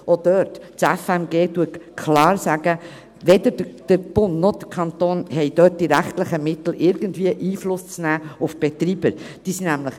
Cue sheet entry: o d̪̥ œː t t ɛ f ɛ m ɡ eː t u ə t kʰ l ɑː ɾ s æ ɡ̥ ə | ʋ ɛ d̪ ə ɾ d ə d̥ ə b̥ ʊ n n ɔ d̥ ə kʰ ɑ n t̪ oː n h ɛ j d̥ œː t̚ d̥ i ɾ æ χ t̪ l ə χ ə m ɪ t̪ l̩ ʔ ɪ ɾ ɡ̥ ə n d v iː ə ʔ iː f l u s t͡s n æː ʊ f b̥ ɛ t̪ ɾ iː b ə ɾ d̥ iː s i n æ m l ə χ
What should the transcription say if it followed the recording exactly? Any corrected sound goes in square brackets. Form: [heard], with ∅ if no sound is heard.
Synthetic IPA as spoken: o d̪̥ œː t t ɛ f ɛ m ɡ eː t u ə t kʰ l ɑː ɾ s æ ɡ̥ ə | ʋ ɛ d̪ ə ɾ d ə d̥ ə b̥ ʊ n n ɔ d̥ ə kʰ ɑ n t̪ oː n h ɛ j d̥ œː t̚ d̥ i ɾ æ χ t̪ l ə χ ə m ɪ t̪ l̩ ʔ ɪ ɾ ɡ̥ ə n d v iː ə ʔ iː f l [ʊ] s t͡s n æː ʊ f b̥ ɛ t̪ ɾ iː b ə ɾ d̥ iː s i n æ m l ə χ